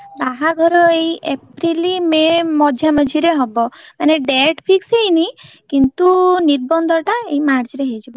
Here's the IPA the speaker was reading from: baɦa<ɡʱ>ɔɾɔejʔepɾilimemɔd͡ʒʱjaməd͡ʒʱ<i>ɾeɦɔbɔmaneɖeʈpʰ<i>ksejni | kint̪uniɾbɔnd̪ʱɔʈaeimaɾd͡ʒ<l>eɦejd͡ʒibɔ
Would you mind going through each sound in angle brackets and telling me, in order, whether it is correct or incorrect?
correct, correct, correct, incorrect: ɾ

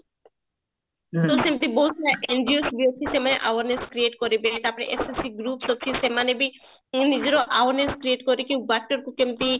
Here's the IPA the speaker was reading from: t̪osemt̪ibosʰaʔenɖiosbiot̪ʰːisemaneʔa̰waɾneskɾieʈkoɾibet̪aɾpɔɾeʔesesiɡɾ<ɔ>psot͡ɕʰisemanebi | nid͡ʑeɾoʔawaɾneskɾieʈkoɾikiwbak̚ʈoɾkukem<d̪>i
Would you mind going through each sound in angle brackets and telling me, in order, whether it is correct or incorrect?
incorrect: u, incorrect: t̪

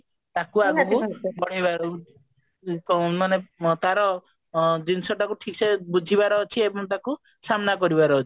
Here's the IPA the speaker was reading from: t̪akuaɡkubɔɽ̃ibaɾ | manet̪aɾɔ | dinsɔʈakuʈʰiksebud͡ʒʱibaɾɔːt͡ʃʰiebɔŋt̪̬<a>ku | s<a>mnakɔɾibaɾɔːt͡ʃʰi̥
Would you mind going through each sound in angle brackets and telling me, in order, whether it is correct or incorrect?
correct, correct

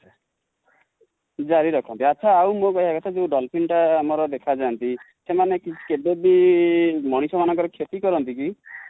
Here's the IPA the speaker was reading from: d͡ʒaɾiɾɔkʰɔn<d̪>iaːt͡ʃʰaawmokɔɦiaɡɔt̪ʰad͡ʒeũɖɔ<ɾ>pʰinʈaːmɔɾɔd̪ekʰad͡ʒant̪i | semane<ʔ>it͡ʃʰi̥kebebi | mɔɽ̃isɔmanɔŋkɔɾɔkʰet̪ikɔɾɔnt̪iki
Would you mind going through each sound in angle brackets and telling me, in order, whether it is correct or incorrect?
incorrect: t̪, incorrect: l, incorrect: k

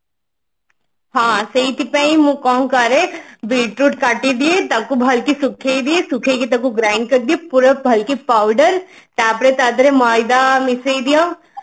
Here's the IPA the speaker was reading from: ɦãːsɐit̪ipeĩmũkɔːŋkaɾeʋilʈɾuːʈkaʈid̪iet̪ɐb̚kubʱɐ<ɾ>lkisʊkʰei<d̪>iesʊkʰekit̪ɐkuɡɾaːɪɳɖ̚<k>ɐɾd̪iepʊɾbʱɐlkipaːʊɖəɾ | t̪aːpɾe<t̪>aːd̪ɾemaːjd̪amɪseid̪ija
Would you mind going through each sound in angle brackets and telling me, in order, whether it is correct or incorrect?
incorrect: none, correct, correct, correct

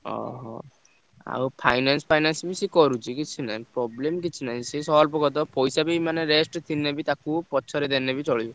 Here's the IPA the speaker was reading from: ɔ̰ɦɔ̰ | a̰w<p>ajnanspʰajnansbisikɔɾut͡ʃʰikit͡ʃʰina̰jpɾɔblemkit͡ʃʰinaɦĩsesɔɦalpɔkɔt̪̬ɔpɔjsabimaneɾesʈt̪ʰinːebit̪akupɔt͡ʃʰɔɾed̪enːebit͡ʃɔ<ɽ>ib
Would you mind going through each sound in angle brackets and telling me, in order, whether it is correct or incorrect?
incorrect: pʰ, incorrect: ɭ

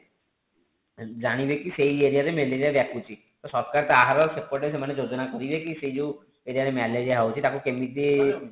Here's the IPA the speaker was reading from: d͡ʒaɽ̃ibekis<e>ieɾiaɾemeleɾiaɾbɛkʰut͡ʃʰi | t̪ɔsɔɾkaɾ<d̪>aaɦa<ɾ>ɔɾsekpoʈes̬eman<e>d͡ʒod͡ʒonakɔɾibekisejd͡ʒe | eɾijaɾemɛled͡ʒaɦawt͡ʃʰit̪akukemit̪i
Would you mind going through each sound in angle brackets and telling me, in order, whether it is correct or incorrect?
correct, incorrect: t̪, correct, correct

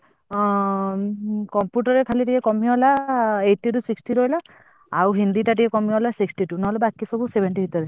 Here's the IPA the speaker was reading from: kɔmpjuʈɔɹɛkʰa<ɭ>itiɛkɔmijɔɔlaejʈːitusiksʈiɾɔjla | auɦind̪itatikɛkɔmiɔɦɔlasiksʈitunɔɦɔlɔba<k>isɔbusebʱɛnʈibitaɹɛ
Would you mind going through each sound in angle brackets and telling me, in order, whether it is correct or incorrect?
incorrect: l, correct

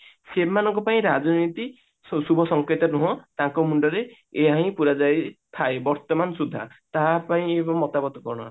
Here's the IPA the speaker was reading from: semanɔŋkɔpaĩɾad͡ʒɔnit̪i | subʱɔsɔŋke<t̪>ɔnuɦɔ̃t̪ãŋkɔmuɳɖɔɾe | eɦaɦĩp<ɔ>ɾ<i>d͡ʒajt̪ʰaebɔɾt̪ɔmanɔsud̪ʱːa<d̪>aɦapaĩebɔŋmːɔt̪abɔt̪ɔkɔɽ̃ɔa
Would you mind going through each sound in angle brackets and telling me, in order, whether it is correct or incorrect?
correct, incorrect: u, incorrect: a, incorrect: t̪

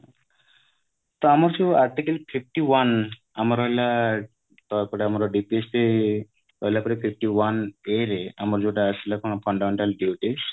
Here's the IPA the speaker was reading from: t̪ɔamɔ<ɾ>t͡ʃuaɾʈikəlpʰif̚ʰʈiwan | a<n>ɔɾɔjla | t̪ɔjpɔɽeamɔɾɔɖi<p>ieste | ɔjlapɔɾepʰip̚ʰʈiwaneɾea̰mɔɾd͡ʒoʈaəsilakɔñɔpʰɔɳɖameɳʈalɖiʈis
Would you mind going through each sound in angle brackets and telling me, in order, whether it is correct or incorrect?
correct, incorrect: m, correct

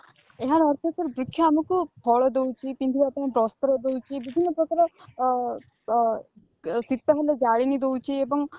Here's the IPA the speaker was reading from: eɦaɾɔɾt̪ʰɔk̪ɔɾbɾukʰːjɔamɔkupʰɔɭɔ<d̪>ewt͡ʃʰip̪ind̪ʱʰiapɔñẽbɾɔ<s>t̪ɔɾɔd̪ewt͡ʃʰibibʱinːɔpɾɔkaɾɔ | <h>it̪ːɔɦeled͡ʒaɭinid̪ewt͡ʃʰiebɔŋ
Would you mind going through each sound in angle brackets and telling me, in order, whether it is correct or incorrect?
correct, correct, incorrect: s

